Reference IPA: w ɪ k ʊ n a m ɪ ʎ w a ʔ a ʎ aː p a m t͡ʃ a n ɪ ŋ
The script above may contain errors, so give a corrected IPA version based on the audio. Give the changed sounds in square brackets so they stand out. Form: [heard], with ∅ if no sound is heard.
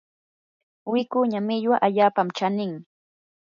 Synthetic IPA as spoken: w ɪ k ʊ [ɲ] a m ɪ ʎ w a ʔ a ʎ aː p a m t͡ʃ a n ɪ ŋ